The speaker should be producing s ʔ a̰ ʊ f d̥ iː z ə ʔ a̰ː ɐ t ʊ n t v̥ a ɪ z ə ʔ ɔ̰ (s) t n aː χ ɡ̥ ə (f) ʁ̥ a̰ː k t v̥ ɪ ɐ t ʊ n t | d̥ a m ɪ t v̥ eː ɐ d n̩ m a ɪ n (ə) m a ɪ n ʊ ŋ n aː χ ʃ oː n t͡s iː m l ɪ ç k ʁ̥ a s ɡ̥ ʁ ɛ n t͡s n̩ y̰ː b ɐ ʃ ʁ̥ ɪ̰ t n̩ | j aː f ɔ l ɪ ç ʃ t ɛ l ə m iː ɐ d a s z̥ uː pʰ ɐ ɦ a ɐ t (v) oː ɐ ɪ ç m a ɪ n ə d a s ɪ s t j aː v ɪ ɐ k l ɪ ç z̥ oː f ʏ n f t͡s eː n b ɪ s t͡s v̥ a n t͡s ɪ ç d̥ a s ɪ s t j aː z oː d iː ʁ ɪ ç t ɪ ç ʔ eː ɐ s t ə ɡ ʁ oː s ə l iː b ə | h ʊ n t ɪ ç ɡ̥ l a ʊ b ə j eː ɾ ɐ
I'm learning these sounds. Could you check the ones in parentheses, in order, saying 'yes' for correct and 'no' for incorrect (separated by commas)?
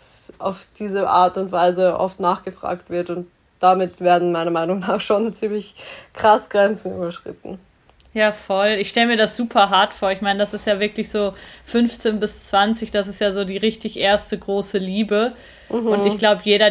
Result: no, yes, no, no